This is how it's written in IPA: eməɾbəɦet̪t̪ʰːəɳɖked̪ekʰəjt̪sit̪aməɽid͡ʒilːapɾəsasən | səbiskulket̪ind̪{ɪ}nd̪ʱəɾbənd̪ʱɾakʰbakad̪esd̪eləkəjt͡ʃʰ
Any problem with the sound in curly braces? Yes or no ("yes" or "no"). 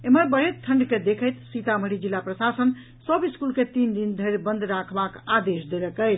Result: yes